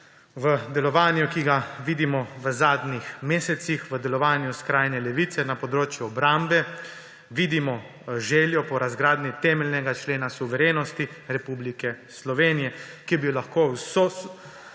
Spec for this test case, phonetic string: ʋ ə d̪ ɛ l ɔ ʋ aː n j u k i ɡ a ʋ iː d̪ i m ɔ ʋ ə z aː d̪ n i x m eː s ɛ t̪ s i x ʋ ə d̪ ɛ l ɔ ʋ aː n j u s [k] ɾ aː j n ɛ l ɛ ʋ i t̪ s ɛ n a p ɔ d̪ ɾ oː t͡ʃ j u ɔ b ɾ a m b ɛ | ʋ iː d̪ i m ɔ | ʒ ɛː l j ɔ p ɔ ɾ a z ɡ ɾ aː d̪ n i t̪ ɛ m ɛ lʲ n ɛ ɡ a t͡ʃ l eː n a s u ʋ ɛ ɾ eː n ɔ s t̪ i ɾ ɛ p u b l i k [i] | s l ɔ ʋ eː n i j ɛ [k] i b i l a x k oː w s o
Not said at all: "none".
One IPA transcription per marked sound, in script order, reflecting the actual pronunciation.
k, ɛ, k

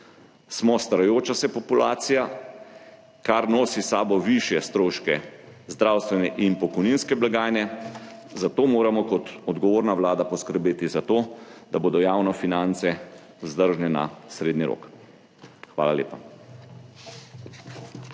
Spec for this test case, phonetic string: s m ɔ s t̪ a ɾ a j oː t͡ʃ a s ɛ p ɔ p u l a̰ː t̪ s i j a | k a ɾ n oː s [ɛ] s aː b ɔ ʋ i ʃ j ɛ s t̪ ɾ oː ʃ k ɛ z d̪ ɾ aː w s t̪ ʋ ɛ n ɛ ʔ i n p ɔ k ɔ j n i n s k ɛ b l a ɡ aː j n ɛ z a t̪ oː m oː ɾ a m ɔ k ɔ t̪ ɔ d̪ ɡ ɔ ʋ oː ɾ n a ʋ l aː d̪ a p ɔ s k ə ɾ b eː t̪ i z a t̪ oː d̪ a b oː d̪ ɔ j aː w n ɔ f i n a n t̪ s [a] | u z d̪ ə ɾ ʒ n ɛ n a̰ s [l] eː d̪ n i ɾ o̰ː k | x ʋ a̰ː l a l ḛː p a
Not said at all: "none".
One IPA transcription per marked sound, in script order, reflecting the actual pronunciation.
i, ɛ, ɾ

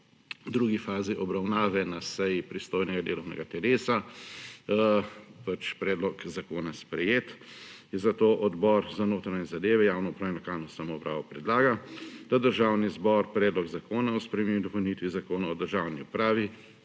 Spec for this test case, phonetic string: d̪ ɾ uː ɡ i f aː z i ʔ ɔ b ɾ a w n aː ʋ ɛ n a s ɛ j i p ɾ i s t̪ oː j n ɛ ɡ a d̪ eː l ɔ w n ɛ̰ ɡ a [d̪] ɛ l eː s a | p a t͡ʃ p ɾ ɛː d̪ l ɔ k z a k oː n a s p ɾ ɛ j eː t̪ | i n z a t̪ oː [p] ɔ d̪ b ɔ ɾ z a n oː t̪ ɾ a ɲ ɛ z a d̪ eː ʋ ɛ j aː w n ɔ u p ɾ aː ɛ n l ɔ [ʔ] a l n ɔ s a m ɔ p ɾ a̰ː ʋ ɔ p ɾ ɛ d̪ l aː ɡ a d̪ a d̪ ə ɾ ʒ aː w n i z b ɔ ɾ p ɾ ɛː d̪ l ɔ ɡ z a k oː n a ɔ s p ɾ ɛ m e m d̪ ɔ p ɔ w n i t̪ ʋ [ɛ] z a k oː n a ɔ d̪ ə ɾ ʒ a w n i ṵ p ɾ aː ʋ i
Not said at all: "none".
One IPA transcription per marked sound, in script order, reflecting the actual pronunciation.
t̪, ʔ, k, i

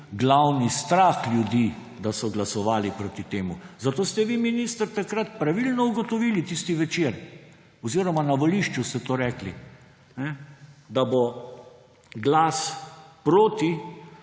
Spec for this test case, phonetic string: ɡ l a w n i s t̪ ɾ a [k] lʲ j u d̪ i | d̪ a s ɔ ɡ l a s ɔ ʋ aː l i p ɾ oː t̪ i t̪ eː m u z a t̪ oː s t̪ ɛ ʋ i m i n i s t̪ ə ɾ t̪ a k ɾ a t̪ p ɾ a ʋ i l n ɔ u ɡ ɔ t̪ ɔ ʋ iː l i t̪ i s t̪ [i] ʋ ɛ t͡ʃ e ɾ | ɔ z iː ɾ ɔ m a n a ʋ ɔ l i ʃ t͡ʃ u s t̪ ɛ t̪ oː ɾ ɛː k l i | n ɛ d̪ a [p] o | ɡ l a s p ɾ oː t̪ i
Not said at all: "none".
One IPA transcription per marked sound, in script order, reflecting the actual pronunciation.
x, i, b

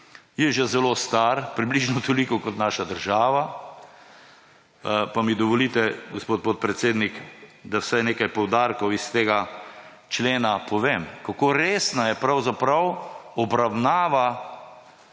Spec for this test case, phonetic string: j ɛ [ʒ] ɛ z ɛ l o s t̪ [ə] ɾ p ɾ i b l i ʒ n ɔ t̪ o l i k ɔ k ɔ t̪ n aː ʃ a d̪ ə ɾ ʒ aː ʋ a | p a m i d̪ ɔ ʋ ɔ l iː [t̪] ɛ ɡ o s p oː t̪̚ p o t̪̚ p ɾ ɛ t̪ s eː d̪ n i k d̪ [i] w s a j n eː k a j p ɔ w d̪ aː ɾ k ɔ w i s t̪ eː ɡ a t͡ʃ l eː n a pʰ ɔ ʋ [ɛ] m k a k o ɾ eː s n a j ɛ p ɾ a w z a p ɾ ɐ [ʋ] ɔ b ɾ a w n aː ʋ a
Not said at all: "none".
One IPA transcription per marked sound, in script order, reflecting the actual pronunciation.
ʒ, a, t̪, a, e, w

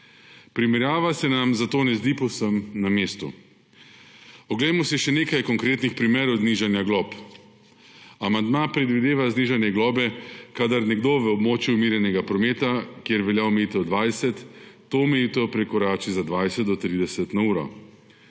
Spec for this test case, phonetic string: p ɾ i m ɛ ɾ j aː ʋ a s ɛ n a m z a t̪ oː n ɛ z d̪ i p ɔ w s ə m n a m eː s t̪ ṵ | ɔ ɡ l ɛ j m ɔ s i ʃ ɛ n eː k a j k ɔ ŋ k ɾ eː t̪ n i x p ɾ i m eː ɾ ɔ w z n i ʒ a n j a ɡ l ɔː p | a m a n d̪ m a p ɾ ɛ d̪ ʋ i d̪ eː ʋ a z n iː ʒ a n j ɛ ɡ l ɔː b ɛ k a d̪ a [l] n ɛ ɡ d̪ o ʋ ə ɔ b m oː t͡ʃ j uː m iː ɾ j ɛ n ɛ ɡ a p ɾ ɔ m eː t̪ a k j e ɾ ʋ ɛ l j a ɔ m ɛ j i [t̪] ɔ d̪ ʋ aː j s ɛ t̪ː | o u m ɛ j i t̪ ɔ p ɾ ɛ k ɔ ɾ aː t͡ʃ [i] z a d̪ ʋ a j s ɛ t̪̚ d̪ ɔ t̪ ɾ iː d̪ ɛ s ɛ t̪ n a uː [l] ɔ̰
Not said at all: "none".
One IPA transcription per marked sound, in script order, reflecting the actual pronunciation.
ɾ, t̪, i, ɾ

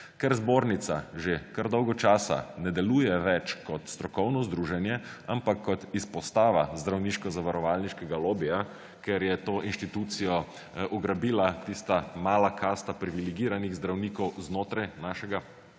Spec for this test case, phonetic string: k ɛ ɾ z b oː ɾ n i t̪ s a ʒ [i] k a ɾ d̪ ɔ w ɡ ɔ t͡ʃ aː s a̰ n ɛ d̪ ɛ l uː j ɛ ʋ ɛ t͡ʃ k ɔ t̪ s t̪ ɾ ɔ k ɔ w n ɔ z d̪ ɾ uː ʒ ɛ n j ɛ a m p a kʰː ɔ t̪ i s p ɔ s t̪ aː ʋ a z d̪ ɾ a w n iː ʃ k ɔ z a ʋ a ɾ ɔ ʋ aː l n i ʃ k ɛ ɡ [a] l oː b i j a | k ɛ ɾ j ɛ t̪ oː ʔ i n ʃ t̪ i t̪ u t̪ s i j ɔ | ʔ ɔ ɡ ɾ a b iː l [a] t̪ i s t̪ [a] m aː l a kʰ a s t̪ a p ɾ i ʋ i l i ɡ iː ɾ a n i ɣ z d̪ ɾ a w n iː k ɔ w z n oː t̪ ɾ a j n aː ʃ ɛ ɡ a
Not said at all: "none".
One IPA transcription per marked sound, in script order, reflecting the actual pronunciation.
e, a, a, a

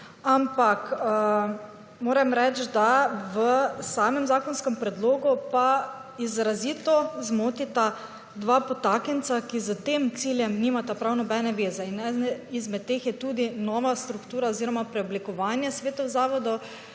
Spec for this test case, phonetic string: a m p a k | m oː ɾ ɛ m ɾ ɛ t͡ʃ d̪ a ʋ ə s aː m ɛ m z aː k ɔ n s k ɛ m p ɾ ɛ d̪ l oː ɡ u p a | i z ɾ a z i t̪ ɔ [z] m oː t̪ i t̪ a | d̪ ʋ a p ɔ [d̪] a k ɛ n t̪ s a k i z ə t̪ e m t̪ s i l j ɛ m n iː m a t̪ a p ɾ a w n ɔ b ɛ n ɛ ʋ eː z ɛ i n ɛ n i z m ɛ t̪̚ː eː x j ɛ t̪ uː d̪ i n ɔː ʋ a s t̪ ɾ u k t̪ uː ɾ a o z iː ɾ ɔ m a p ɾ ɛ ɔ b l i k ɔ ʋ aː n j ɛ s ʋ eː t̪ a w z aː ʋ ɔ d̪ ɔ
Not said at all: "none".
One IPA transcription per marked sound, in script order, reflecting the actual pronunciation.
z, t̪

